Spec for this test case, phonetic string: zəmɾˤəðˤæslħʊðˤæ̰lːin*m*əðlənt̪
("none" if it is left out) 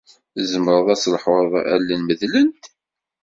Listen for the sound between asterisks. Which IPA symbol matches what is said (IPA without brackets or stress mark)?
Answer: m